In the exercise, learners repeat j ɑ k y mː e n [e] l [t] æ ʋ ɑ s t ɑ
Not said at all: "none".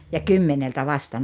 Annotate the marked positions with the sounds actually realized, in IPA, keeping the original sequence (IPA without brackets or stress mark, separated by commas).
e, t